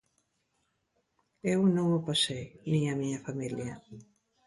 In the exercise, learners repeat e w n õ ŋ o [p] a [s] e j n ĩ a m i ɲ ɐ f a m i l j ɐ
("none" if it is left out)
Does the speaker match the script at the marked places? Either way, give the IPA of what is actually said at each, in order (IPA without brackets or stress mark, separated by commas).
p, s